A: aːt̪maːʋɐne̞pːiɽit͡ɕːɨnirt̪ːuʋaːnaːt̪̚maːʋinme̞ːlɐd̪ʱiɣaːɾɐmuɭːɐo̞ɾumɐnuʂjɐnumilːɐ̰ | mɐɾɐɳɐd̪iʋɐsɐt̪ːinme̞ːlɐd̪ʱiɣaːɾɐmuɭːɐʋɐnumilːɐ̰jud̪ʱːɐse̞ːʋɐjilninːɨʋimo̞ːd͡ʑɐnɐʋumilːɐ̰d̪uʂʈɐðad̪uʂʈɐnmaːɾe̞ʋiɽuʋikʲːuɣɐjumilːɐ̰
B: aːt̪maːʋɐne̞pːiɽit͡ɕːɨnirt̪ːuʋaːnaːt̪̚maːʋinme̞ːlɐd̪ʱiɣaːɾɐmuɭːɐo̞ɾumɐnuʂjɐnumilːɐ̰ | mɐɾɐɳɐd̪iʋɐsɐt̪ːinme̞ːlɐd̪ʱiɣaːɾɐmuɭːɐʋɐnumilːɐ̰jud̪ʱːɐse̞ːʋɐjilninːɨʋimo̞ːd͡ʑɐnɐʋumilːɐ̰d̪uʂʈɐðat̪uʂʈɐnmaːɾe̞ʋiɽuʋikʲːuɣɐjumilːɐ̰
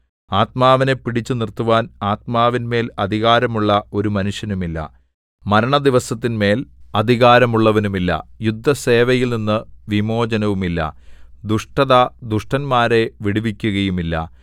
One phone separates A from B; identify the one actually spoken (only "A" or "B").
A